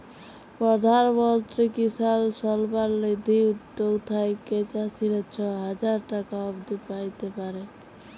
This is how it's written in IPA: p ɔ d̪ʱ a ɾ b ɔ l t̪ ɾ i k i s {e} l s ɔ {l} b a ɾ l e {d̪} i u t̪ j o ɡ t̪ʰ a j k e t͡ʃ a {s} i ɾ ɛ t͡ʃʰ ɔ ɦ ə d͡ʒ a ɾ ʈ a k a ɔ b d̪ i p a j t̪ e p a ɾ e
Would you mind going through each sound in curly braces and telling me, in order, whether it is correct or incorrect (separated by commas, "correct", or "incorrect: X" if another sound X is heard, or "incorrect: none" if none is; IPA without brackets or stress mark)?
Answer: incorrect: a, correct, correct, correct